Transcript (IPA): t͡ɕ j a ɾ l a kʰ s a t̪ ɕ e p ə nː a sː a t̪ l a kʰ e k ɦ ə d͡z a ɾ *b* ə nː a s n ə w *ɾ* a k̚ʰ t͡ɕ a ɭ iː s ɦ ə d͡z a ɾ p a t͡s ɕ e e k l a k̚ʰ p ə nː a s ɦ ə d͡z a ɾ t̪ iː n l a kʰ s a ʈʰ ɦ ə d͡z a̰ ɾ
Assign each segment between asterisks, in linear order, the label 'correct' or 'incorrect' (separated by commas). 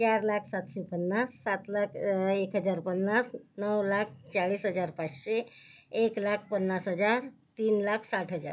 incorrect, incorrect